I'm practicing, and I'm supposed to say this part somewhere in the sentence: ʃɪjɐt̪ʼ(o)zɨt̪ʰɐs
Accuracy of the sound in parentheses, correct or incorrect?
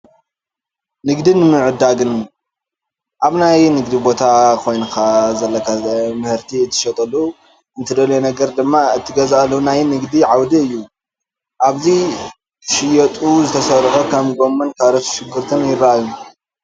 incorrect